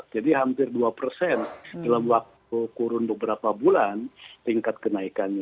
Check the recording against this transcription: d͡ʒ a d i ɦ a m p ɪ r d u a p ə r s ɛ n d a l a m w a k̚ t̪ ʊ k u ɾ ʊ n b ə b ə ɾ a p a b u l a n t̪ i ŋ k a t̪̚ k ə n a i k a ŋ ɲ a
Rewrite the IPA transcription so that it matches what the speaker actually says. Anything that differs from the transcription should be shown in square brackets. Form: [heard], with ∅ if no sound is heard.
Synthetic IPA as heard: d͡ʒ a d i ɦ a m p ɪ r d u a p ə r s ɛ n d a l a m w a k̚ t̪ [u] k u ɾ ʊ n b ə b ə ɾ a p a b u l a n t̪ i ŋ k a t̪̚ k ə n a i k a [n] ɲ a

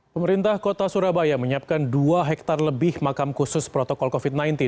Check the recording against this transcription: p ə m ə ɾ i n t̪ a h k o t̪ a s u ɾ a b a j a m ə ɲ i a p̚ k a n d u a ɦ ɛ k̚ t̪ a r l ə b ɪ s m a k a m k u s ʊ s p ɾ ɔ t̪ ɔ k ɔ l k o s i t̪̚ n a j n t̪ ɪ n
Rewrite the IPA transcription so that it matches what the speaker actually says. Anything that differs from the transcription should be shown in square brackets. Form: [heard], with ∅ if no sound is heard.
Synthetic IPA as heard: p ə m ə ɾ i n t̪ a h k o t̪ a s u ɾ a b a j a m ə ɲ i a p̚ k a n d u a ɦ ɛ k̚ t̪ a r l ə b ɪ [h] m a k a m k u s ʊ s p ɾ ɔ t̪ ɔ k ɔ l k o [f] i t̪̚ n a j n t̪ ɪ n

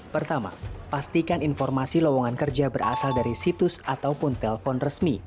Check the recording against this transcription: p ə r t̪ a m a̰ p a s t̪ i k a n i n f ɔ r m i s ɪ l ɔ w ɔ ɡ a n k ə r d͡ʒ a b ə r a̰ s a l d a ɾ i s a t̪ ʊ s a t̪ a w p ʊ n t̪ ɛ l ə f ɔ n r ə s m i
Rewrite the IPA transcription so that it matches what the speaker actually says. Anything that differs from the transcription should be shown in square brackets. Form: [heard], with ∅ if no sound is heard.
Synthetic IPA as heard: p ə r t̪ a m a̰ p a s t̪ i k a n i n f ɔ r m [a] s [i] l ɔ w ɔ [ŋ] a n k ə r d͡ʒ a b ə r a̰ s a l d a ɾ i s [i] t̪ ʊ s a t̪ a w p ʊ n t̪ ɛ l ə f ɔ n r ə s m i

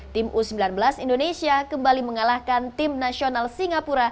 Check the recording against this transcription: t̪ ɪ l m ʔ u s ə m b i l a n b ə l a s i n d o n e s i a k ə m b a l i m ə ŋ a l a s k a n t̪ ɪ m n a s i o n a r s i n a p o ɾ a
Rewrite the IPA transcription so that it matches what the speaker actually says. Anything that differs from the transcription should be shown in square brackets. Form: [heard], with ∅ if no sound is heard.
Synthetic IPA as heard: t̪ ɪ [∅] m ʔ u s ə m b i l a n b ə l a s i n d o n e s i a k ə m b a l i m ə ŋ a l a [h] k a n t̪ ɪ m n a s i o n a [l] s i [ŋ] a p [u] ɾ a

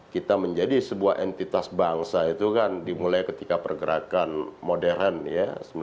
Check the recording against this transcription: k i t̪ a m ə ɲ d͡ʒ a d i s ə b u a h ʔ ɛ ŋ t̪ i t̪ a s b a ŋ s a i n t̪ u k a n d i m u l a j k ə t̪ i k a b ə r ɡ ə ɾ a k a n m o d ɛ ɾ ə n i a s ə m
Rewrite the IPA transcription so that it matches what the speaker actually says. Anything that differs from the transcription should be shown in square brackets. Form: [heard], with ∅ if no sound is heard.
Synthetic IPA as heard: k i t̪ a m ə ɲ d͡ʒ a d i s ə b u a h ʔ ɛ [n] t̪ i t̪ a s b a ŋ s a i [∅] t̪ u k a n d i m u l a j k ə t̪ i k a [p] ə r ɡ ə ɾ a k a n m o d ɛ ɾ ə n [j] a s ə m

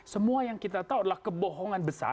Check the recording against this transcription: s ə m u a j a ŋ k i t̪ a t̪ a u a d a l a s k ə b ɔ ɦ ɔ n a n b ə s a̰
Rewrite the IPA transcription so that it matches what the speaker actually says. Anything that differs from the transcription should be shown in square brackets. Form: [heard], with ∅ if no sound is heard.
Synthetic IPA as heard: s ə m u a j a ŋ k i t̪ a t̪ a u a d a l a [h] k ə b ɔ ɦ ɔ [ŋ] a n b ə s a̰

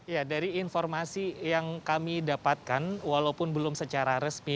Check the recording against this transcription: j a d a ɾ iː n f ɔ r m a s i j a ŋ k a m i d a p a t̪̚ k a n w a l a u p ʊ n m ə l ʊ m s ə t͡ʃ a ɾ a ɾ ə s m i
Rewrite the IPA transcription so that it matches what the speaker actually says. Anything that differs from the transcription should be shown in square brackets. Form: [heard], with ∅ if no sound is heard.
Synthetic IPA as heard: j a d a ɾ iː n f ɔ r m a s i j a ŋ k a m i d a p a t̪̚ k a n w a l a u p ʊ n [b] ə l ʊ m s ə t͡ʃ a ɾ a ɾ ə s m i

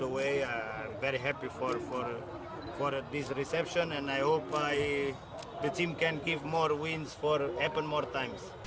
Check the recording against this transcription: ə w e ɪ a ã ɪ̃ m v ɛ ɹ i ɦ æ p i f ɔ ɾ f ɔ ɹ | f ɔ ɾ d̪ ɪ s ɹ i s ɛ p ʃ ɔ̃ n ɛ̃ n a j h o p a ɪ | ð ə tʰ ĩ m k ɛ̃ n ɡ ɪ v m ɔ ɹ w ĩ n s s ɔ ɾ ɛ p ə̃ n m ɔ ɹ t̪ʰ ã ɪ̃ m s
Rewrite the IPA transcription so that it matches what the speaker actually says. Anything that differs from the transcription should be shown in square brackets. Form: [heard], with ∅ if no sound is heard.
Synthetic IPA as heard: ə w e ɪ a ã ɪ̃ m v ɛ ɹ i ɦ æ p i f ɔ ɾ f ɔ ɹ | f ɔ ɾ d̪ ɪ s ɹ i s ɛ p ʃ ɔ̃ n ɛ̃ n a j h o p a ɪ | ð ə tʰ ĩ m k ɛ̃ n ɡ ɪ v m ɔ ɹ w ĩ n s [f] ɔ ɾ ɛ p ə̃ n m ɔ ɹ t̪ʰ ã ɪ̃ m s

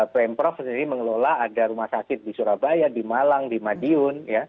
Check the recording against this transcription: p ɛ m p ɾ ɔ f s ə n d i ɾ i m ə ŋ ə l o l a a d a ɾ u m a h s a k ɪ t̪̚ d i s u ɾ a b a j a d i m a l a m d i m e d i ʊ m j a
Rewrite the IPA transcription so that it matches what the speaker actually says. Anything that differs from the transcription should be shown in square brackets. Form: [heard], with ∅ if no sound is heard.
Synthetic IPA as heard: p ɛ m p ɾ ɔ f s ə n d i ɾ i m ə ŋ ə l o l a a d a ɾ u m a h s a k ɪ t̪̚ d i s u ɾ a b a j a d i m a l a [ŋ] d i m [a] d i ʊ [n] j a

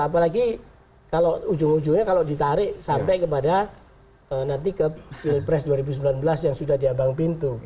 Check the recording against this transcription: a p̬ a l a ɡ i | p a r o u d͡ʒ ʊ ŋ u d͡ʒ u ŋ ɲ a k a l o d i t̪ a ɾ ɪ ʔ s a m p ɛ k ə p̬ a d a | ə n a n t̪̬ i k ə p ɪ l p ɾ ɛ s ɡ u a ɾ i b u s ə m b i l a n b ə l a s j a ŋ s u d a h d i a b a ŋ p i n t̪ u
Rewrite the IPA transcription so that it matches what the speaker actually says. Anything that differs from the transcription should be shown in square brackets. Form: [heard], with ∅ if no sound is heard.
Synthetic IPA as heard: a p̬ a l a ɡ i | [k] a [l] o u d͡ʒ ʊ ŋ u d͡ʒ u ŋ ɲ a k a l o d i t̪ a ɾ ɪ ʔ s a m p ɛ k ə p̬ a d a | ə n a n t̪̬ i k ə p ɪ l p ɾ ɛ s [d] u a ɾ i b u s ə m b i l a n b ə l a s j a ŋ s u d a h d i a b a ŋ p i n t̪ u

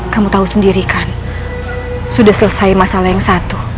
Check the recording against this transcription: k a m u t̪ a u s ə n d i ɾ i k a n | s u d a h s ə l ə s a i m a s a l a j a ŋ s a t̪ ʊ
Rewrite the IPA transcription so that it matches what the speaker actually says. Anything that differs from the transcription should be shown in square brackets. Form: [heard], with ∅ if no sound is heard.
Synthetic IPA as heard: k a m u t̪ a u s ə n d i ɾ i k a n | s u d a h s ə l ə s a i m a s a l a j a ŋ s a t̪ [u]

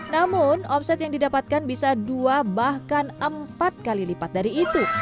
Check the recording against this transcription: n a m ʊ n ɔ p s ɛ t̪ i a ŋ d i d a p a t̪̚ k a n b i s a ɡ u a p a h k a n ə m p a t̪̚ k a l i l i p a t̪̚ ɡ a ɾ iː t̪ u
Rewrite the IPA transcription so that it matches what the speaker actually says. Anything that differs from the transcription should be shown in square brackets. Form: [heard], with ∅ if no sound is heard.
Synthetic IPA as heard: n a m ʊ n ɔ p s ɛ t̪ [j] a ŋ d i d a p a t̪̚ k a n b i s a [d] u a [b] a h k a n ə m p a t̪̚ k a l i l i p a t̪̚ [d] a ɾ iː t̪ u

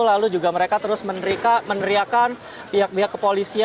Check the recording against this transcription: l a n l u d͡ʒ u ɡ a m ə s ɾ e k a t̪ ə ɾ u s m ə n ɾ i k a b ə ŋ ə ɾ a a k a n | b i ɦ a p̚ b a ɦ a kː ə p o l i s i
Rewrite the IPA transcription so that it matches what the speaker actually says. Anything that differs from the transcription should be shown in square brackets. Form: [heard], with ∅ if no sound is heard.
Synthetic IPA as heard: l a [∅] l u d͡ʒ u ɡ a m ə [∅] ɾ e k a t̪ ə ɾ [ʊ] s m ə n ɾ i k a [m] ə [n] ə ɾ [i] a k a n | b i ɦ a [k̚] b [i] ɦ a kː ə p o l i s i

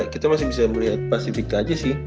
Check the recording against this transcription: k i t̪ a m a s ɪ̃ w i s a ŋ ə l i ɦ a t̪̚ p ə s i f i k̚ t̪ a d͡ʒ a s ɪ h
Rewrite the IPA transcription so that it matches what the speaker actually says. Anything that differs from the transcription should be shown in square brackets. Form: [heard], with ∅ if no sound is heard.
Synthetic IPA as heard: k i t̪ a m a s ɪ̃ [b] i s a [m] ə l i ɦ a t̪̚ p [a] s i f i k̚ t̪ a d͡ʒ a s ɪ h

